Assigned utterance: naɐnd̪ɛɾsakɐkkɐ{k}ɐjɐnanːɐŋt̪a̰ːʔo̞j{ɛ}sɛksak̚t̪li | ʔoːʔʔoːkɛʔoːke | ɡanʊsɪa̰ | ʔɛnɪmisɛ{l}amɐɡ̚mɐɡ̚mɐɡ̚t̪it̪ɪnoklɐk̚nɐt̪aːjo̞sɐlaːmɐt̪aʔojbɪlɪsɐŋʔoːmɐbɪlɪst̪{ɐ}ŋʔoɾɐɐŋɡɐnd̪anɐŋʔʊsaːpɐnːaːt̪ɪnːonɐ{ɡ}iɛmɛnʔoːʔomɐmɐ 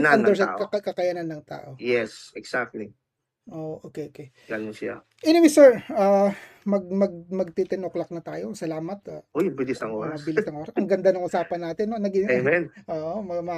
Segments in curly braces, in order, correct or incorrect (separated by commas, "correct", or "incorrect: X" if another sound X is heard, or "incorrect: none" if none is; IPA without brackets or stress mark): correct, correct, incorrect: ɹ, correct, correct